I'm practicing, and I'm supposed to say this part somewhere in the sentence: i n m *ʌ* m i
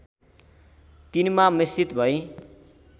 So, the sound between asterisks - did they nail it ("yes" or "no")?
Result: no